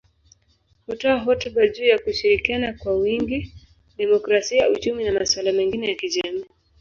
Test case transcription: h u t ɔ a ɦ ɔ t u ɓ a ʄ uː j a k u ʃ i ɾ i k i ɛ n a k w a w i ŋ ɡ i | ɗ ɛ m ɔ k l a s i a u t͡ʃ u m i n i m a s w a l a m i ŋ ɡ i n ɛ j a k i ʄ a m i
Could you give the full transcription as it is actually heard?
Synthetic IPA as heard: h u t ɔ a ɦ ɔ t u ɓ a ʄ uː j a k u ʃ i ɾ i k i a n a k w a w i ŋ ɡ i | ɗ ɛ m ɔ k ɾ a s i a u t͡ʃ u m i n a m a s w a l a m ɛ ŋ ɡ i n ɛ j a k i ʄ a m i